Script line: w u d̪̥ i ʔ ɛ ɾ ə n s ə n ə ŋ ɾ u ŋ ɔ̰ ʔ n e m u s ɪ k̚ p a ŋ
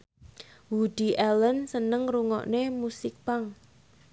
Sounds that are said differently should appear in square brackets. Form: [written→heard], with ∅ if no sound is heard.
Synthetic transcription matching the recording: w u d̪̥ i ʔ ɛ [ɾ→l] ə n s ə n ə ŋ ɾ u ŋ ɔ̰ ʔ n e m u s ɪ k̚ p a ŋ

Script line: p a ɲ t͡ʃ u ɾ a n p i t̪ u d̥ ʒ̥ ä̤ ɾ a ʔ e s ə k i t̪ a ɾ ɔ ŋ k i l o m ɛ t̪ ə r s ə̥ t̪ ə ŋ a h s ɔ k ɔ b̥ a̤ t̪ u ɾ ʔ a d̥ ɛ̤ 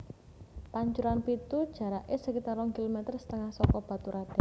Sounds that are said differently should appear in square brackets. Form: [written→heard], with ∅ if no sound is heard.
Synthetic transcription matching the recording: p a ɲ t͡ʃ u ɾ a n p i t̪ u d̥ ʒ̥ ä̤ ɾ a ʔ e s ə k i t̪ a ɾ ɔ ŋ k i l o m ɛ t̪ ə r s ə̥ t̪ ə ŋ a h s ɔ k ɔ b̥ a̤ t̪ u ɾ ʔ a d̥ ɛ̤

